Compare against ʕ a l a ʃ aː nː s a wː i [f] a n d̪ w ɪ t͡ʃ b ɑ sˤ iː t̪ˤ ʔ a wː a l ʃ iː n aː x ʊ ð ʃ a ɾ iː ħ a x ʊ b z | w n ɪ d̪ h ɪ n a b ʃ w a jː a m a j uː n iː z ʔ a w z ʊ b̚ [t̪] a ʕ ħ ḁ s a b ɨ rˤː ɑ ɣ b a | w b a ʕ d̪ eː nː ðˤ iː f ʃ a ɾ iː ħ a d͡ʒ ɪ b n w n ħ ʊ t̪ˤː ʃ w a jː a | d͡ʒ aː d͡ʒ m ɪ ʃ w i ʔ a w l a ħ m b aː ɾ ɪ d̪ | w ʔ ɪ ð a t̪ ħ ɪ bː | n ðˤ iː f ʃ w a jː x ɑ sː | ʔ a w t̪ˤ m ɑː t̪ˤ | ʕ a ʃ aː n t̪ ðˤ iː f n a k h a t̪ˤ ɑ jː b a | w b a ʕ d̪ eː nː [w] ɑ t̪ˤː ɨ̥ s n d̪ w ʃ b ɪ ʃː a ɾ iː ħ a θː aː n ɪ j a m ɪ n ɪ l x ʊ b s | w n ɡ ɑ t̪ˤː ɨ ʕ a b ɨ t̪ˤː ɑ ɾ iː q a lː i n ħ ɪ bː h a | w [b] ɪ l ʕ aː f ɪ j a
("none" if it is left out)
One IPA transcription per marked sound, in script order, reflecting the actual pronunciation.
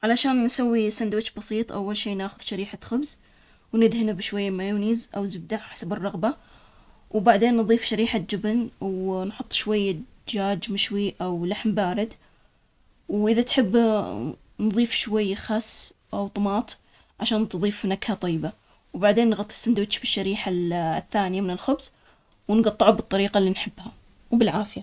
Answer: s, d̪, ɣ, b

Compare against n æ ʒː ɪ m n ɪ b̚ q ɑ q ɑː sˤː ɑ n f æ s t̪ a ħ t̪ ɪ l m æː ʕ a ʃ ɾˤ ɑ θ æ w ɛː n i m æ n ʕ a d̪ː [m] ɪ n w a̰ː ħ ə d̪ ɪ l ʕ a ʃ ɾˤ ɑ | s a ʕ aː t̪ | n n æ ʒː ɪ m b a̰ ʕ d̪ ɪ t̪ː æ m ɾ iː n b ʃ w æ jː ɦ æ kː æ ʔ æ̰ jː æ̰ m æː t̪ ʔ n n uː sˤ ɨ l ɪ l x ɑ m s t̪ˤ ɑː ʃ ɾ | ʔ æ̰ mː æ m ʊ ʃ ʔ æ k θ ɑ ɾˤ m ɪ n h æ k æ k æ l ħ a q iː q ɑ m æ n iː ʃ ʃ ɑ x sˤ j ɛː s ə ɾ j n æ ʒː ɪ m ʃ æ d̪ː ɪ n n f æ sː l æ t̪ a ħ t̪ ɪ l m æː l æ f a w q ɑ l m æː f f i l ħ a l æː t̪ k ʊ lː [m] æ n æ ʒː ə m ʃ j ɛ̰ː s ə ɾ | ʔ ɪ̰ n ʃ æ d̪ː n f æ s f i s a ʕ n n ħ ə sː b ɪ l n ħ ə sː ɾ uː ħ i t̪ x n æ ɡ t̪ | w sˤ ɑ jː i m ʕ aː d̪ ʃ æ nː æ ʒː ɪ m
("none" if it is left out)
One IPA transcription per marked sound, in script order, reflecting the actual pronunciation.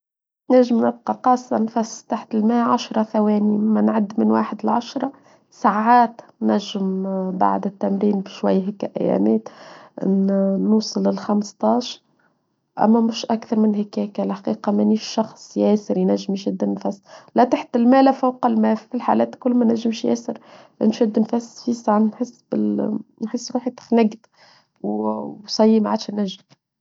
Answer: m, m

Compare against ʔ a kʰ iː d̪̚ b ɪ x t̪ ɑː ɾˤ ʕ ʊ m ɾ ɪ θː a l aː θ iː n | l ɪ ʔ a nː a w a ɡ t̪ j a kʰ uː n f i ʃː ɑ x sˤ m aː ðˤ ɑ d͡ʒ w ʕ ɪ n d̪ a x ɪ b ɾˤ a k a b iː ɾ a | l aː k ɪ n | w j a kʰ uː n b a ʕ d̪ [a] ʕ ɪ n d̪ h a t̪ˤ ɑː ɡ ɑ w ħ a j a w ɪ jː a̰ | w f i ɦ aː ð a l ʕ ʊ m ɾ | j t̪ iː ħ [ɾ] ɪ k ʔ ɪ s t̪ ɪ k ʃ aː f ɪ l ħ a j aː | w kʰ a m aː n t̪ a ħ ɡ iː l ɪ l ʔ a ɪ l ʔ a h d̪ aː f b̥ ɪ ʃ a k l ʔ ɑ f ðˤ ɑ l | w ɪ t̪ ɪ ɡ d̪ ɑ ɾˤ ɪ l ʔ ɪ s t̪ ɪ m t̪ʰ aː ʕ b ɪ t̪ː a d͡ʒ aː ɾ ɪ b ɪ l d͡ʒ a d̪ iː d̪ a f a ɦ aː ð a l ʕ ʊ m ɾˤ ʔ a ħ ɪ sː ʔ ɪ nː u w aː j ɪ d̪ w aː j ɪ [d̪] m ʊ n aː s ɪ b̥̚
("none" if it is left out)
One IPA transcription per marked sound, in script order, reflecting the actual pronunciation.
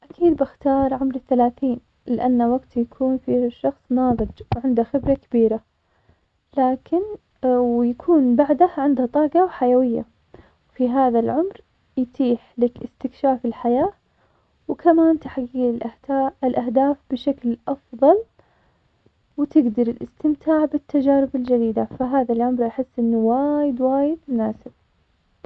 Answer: a, l, d̪

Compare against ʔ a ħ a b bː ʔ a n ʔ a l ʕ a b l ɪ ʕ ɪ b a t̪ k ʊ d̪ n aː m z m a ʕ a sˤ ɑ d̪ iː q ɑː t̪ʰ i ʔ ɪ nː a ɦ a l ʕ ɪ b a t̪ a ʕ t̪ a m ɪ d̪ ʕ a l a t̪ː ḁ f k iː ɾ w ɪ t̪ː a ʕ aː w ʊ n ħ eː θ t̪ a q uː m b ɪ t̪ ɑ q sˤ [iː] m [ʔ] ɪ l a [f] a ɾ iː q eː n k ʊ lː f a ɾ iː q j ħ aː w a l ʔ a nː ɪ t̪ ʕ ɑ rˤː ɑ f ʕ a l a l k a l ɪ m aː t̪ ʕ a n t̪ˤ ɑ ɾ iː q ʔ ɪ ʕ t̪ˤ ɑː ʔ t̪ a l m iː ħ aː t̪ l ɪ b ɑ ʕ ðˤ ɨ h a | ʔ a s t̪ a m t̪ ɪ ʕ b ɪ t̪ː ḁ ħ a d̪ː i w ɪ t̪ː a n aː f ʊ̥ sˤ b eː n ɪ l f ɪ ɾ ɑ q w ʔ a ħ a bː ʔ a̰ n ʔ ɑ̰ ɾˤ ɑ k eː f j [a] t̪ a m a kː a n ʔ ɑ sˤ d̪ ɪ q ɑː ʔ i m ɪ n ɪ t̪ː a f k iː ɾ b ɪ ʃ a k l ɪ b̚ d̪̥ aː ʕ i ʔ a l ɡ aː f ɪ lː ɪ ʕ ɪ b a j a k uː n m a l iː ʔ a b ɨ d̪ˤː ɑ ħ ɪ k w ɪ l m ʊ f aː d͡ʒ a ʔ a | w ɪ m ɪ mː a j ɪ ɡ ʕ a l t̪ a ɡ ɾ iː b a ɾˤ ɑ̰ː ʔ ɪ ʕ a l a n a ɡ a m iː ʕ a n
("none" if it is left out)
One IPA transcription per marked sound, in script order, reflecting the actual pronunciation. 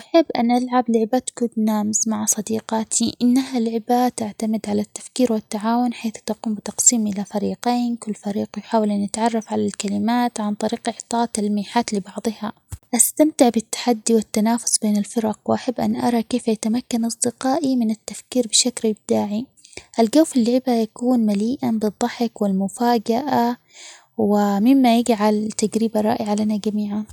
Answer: iː, ʔ, f, a

